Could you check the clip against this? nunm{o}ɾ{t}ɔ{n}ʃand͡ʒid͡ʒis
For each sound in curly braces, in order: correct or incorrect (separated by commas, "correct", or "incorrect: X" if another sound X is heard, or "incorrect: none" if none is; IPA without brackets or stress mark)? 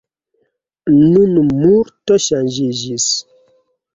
incorrect: u, correct, incorrect: none